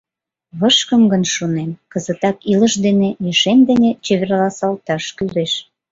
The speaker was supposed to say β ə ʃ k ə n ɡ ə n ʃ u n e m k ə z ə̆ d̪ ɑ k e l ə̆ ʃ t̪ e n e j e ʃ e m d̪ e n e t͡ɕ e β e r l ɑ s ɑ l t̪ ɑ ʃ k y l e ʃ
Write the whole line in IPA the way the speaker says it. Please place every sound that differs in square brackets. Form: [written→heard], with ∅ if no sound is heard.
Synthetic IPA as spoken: β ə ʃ k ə [n→m] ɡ ə n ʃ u n e m k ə z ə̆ [d̪→t̪] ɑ k [e→i] l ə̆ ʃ [t̪→d̪] e n e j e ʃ e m d̪ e n e t͡ɕ e β e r l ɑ s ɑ l t̪ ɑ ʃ k y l e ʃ